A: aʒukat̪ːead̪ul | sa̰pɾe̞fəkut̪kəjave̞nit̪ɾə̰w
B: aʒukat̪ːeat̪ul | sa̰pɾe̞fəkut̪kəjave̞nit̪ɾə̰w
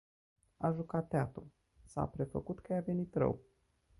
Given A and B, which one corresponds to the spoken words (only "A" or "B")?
B